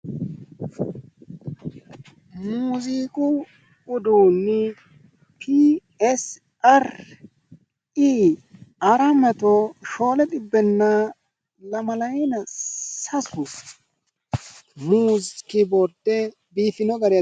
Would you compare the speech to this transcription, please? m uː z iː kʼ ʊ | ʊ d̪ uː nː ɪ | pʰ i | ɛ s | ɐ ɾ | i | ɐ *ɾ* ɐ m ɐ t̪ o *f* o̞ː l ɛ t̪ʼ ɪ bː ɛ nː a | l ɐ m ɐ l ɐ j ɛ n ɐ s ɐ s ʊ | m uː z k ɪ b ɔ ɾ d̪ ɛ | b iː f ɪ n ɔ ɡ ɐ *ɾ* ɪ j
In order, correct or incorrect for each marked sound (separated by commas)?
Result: correct, incorrect, correct